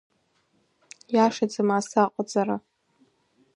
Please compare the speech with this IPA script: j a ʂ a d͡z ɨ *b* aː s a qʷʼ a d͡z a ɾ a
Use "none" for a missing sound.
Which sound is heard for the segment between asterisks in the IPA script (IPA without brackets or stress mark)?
m